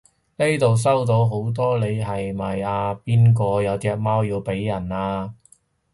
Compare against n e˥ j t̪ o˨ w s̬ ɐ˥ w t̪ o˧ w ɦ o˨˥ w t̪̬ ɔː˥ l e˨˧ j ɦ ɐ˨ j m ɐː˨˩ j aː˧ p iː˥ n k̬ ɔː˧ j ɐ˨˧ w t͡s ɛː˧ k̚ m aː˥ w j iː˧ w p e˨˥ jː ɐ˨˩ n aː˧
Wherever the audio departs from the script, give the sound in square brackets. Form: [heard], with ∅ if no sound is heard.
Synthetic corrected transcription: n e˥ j t̪ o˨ w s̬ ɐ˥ w t̪ [o˨˥] w ɦ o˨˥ w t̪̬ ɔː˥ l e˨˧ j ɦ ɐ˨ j m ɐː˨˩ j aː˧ p iː˥ n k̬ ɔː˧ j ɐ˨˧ w t͡s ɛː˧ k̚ m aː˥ w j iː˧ w p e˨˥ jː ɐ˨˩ n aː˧